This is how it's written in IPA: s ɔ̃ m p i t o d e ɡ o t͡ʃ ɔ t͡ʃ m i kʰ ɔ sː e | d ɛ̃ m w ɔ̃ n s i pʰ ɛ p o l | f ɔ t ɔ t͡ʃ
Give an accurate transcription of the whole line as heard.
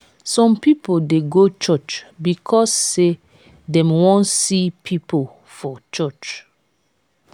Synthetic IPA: s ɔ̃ m p i p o d e ɡ o t͡ʃ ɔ t͡ʃ b i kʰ ɔ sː e | d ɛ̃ m w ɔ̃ n s i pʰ i p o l | f ɔ t͡ʃ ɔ t͡ʃ